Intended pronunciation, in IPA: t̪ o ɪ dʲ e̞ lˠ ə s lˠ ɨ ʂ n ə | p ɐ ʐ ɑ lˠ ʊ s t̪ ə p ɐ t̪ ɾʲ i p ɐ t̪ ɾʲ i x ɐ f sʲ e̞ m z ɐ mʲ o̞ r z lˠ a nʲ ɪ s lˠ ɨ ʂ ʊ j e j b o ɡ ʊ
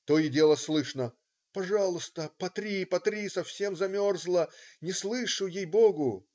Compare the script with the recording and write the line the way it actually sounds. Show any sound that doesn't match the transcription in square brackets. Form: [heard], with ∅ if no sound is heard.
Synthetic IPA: t̪ o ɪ dʲ e̞ lˠ ə s lˠ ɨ ʂ n ə | p ɐ ʐ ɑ lˠ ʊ s t̪ ə p ɐ t̪ ɾʲ i p ɐ t̪ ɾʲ i [s] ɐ f sʲ e̞ m z ɐ mʲ o̞ r z lˠ [ə] nʲ ɪ s lˠ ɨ ʂ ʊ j e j b o ɡ ʊ